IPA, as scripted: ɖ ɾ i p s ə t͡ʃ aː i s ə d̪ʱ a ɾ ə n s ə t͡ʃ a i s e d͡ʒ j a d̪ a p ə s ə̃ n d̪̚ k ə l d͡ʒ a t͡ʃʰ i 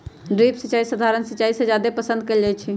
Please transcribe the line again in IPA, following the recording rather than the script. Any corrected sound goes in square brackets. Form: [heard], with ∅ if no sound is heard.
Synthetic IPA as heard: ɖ ɾ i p s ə t͡ʃ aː i s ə d̪ʱ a ɾ ə n s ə t͡ʃ a i s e d͡ʒ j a d̪ [e] p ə s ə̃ n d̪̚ k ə l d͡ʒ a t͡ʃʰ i